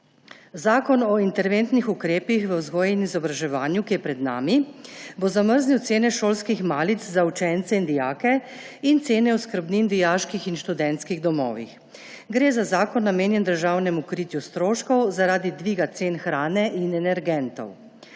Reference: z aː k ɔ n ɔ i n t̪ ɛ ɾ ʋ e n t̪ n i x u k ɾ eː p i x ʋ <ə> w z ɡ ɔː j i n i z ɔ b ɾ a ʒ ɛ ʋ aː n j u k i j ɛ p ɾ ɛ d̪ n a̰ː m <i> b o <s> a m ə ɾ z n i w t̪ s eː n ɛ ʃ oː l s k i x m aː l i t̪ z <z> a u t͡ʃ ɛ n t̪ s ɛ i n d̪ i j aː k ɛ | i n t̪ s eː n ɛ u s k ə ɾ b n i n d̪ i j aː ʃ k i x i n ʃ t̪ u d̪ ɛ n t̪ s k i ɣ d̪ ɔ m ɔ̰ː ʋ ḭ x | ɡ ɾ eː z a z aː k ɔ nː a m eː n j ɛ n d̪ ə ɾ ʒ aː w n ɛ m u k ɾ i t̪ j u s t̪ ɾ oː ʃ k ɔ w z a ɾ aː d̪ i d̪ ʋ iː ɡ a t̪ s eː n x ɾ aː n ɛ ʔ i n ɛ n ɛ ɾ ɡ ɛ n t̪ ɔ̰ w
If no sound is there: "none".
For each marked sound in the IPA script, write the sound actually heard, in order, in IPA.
ə, i, z, z

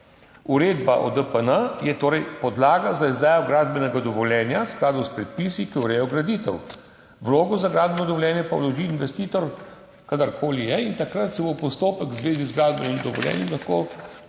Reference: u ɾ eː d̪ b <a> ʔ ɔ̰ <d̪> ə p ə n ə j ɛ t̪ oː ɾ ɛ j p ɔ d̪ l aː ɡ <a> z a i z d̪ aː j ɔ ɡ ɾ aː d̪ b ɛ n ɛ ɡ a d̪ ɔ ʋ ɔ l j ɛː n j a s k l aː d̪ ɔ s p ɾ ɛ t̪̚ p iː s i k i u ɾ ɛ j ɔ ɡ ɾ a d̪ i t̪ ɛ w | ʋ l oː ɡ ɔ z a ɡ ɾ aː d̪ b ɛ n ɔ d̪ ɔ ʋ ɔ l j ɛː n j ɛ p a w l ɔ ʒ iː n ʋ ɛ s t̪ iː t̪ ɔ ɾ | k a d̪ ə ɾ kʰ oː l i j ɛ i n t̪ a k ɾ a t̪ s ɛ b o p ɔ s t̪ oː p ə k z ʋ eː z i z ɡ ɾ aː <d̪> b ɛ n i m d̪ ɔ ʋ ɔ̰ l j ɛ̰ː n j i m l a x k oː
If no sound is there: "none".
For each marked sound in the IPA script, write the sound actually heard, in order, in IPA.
a, d̪, a, d̪

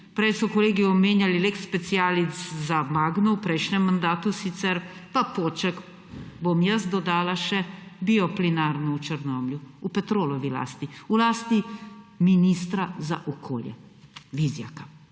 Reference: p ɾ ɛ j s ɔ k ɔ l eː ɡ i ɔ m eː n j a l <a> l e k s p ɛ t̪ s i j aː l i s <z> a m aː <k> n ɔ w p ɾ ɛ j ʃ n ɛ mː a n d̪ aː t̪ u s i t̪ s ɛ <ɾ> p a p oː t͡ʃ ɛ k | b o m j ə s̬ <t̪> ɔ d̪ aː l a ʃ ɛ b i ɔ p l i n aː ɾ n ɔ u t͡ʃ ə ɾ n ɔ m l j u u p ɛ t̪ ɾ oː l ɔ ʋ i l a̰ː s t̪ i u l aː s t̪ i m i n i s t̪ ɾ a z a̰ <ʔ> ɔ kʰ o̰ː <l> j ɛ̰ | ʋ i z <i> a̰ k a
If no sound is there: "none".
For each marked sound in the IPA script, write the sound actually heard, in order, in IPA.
i, z, ɡ, ɾ, d̪, ʔ, l, j

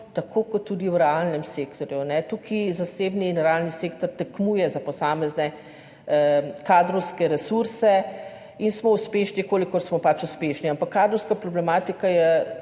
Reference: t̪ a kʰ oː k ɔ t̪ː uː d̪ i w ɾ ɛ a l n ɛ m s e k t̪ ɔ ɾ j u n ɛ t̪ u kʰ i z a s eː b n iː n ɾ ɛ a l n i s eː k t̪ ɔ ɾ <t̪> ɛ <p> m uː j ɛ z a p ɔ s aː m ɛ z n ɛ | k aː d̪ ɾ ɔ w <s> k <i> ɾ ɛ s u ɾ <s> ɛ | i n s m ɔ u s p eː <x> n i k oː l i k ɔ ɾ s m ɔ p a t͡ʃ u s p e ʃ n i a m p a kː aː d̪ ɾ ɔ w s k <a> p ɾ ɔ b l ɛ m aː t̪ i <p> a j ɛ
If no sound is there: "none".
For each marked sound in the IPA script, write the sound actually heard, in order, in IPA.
t̪, k, s, ɛ, s, ʃ, a, k

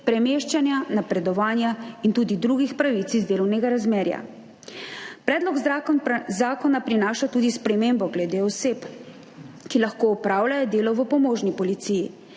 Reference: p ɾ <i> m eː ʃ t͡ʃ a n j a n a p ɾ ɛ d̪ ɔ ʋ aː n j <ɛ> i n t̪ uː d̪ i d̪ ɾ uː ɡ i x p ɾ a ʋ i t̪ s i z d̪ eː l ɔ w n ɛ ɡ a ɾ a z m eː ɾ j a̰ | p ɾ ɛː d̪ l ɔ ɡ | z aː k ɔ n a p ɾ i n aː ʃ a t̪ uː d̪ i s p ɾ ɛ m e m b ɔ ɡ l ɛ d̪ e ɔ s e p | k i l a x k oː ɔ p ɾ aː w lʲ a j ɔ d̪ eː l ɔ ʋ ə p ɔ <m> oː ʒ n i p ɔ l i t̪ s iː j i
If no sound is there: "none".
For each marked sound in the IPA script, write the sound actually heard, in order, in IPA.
ɛ, a, m

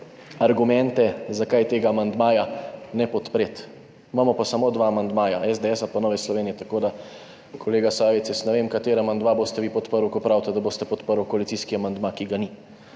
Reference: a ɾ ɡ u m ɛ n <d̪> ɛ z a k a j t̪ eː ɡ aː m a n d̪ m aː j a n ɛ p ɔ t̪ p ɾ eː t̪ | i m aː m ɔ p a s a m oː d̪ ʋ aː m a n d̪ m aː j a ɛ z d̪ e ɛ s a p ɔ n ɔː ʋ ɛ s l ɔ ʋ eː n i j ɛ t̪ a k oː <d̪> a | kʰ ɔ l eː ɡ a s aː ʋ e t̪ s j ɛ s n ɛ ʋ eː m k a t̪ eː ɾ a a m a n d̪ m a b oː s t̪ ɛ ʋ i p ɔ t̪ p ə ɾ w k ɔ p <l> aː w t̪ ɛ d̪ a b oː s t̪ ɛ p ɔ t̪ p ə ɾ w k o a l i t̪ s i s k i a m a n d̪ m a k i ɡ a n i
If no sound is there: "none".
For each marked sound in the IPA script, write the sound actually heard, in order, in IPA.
t̪, d̪, ɾ

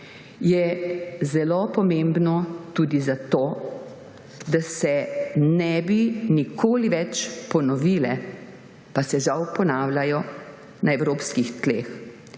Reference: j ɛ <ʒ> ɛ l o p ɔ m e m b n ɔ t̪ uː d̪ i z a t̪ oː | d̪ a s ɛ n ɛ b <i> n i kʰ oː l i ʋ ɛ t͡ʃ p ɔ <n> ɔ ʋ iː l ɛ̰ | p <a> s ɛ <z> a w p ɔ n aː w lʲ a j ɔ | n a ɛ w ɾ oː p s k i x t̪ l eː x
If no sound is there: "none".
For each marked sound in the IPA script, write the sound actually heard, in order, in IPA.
z, i, n, a, ʒ

